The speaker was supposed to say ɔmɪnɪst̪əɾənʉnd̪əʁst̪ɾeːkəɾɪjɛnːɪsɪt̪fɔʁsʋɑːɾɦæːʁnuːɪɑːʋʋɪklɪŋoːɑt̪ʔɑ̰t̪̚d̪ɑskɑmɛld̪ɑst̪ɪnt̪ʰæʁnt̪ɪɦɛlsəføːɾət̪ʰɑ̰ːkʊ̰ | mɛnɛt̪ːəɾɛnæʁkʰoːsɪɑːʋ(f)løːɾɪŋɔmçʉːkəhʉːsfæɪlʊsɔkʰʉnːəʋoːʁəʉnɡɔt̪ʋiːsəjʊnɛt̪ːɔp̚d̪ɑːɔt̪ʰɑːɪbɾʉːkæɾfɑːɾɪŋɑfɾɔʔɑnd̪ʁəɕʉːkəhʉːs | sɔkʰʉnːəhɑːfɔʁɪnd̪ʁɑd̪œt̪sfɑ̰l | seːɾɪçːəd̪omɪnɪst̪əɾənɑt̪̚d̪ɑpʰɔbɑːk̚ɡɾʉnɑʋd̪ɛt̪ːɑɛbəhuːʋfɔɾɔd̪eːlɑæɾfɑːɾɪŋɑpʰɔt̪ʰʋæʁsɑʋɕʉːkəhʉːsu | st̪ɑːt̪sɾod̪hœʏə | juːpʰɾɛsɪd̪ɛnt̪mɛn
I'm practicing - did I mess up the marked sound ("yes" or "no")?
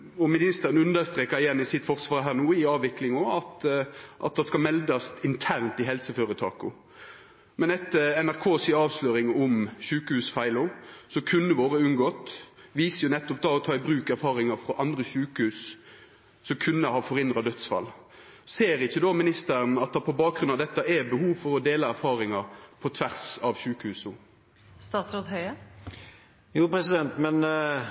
yes